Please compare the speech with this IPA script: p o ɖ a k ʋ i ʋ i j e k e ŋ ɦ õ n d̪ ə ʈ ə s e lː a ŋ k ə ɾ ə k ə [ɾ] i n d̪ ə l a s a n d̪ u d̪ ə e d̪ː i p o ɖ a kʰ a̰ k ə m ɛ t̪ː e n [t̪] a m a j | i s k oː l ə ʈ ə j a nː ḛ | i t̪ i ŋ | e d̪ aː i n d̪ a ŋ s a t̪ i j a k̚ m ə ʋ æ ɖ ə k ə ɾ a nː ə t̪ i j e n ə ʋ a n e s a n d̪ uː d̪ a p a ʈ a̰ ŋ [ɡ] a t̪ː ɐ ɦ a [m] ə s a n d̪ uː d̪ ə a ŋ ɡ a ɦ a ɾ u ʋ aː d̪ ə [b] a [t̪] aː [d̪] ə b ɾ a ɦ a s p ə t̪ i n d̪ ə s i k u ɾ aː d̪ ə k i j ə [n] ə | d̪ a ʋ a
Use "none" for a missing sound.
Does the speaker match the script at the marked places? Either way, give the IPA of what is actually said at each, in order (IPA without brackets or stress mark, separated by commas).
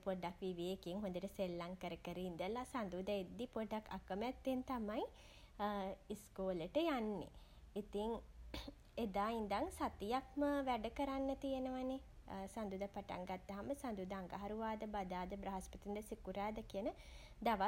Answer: ɾ, t̪, ɡ, m, b, d̪, d̪, n